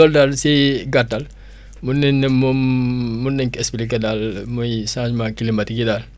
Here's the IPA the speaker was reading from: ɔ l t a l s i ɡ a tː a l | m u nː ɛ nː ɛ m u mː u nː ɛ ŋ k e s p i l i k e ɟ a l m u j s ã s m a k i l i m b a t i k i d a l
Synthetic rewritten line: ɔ l d a l s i ɡ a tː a l | m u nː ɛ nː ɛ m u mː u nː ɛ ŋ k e s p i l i k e d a l m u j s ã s m a k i l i m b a t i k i d a l

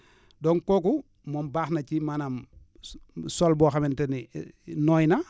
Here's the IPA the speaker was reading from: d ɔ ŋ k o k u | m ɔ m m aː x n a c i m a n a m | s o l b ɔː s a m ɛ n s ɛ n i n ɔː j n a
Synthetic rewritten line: d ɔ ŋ k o k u | m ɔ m b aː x n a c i m a n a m | s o l b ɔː x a m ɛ n t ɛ n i n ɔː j n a

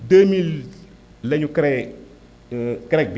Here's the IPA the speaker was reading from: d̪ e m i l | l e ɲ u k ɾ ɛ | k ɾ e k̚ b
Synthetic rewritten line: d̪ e m i l | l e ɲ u k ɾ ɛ | k ɾ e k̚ b

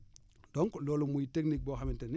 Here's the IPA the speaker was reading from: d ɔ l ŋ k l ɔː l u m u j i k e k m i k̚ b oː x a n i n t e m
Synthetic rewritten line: d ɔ ŋ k l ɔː l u m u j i t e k n i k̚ b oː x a m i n t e n

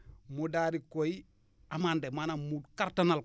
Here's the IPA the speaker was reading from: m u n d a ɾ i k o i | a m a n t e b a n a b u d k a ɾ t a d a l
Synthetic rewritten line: m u d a ɾ i k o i | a m a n d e m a n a m u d k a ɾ t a n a l

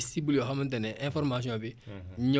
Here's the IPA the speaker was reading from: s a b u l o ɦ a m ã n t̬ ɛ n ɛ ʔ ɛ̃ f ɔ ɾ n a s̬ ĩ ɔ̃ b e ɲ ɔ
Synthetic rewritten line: s i b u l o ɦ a m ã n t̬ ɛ n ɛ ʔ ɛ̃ f ɔ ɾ m a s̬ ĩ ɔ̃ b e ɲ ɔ

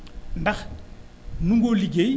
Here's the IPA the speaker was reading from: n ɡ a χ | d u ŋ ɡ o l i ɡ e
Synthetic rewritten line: n d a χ | n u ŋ ɡ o l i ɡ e

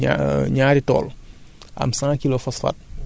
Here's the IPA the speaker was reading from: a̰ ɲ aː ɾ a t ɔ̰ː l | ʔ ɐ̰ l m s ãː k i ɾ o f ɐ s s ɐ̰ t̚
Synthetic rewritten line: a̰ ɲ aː ɾ i t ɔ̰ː l | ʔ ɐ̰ m s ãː k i l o f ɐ s f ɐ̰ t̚

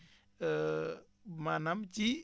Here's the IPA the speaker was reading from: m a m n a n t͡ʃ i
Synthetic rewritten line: m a n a m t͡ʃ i

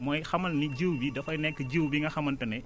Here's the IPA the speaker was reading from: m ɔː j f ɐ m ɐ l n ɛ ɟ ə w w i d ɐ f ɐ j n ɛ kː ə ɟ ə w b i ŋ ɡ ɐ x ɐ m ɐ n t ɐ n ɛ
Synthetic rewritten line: m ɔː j x ɐ m ɐ l n i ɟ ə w b i d ɐ f ɐ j n ɛ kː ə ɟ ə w b i ŋ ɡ ɐ x ɐ m ɐ n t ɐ n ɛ

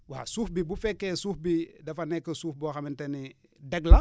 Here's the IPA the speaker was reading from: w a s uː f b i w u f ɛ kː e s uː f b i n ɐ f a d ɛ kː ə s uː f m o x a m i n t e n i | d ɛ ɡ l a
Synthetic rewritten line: w a s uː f b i b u f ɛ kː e s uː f b i d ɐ f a n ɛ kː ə s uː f b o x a m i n t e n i | d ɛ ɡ l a

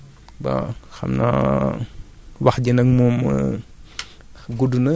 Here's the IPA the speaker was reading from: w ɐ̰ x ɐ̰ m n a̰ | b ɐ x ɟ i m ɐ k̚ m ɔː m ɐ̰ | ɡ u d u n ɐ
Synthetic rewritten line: b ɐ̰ x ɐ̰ m n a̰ | w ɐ x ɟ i n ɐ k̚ m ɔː m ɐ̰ | ɡ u d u n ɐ

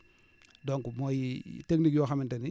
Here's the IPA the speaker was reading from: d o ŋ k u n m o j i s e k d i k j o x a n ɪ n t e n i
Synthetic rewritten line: d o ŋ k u m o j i t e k n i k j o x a m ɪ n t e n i

